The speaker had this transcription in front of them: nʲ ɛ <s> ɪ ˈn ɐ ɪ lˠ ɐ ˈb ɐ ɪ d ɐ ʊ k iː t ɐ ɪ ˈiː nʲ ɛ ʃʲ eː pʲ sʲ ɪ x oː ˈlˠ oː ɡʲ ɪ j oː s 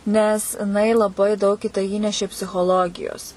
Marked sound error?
no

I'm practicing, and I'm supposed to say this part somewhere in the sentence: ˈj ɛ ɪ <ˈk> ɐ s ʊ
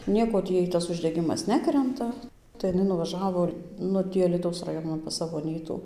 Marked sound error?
yes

